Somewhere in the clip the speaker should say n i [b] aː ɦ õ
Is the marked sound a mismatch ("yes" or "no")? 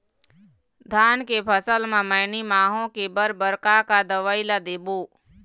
yes